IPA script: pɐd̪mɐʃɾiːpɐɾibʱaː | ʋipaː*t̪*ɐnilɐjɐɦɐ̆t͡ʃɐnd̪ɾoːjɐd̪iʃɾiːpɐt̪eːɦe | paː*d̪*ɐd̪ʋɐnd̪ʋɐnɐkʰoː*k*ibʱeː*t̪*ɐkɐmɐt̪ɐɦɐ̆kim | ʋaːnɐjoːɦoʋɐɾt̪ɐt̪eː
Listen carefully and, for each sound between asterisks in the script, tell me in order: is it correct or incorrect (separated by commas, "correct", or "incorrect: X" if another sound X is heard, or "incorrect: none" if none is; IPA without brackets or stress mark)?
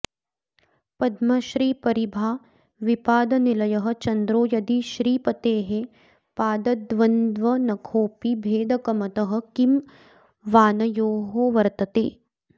incorrect: d̪, correct, incorrect: p, incorrect: d̪